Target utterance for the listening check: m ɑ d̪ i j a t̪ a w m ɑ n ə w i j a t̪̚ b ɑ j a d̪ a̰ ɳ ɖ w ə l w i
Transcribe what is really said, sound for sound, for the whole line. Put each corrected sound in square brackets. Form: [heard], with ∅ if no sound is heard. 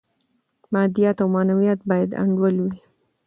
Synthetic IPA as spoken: m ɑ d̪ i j a t̪ a w m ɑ n [a] w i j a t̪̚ b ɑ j a d̪ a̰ ɳ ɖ w ə l w i